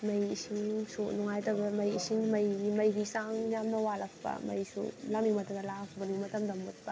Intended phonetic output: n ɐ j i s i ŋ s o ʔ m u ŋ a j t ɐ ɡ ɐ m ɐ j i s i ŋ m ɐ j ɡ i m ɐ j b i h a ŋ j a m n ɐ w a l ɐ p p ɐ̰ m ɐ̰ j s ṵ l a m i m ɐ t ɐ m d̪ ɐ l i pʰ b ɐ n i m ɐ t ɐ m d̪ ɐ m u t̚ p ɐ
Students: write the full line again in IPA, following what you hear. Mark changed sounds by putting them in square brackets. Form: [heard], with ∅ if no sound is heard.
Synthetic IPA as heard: [m] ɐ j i s i ŋ s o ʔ [n] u ŋ a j t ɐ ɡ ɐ m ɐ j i s i ŋ m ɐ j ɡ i m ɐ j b i [s] a ŋ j a m n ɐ w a l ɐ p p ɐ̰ m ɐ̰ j s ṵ l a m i m ɐ t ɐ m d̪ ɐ l [a] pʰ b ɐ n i m ɐ t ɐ m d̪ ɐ m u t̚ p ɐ